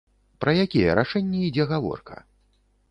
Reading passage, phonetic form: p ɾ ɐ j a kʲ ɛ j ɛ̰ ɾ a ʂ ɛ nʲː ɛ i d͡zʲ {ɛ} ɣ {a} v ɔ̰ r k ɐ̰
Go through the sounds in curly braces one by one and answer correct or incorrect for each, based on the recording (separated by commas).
correct, correct